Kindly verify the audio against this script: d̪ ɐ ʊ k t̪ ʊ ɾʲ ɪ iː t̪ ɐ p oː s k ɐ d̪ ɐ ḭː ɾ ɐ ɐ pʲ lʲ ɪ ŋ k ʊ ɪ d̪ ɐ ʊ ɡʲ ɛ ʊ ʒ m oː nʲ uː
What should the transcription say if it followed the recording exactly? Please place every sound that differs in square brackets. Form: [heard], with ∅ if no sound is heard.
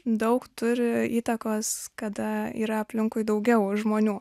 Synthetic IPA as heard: d̪ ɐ ʊ k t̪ ʊ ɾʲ ɪ iː t̪ ɐ [k] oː s k ɐ d̪ ɐ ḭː ɾ ɐ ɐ pʲ lʲ ɪ ŋ k ʊ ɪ d̪ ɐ ʊ ɡʲ ɛ ʊ ʒ m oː nʲ uː